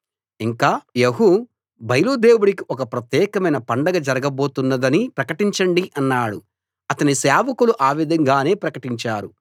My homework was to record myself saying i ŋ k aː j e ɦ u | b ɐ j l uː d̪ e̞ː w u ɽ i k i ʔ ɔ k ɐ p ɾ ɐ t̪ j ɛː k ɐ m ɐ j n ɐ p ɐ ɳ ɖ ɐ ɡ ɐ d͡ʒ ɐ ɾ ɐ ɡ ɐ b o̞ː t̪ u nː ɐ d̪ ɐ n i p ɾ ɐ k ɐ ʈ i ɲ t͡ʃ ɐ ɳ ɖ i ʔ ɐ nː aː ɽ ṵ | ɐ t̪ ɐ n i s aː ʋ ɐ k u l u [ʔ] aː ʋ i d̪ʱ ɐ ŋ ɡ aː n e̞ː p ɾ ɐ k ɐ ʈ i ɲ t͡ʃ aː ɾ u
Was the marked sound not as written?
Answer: no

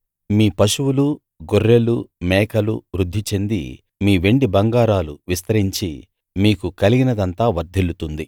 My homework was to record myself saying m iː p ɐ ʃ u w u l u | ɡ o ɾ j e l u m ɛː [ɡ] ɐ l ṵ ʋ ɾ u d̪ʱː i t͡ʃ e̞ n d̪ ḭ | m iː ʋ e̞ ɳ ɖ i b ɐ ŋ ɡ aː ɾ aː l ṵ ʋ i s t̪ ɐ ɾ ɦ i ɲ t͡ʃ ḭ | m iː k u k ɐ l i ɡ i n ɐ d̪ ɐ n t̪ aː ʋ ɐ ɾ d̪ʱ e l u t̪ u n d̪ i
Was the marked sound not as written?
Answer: yes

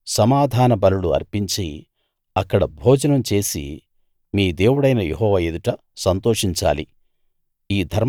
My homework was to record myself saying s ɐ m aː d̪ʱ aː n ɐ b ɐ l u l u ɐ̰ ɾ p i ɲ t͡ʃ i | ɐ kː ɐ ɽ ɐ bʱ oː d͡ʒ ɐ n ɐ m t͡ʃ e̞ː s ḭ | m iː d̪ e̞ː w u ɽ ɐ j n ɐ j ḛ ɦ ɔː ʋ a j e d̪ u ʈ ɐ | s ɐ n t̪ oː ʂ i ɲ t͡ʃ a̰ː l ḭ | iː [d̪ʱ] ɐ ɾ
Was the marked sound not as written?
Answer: no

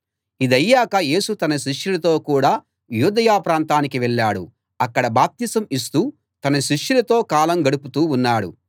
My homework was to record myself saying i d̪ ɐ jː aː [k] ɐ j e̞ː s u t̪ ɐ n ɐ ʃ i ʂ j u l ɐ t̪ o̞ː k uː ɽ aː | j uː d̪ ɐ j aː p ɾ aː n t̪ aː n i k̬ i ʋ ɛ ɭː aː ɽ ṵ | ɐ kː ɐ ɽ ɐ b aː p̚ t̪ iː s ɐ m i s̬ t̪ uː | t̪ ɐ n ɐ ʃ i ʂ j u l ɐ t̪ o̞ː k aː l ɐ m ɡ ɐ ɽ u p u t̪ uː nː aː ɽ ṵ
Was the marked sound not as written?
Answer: no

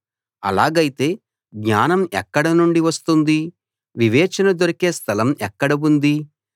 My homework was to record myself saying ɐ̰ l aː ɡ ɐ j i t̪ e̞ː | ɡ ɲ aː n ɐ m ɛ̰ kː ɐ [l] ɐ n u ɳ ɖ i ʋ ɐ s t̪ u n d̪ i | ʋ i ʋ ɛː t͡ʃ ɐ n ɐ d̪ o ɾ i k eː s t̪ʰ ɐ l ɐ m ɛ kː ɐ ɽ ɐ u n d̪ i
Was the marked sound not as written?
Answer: yes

